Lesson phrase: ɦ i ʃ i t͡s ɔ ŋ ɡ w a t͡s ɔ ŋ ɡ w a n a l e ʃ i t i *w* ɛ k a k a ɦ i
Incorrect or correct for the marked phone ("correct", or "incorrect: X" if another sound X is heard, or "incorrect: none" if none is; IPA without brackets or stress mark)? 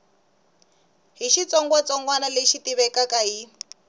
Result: incorrect: β